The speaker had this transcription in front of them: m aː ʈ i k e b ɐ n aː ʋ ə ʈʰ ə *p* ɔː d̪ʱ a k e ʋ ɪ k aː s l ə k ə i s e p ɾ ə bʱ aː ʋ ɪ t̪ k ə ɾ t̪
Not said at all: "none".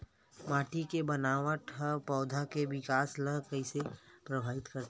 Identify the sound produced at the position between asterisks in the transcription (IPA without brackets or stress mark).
p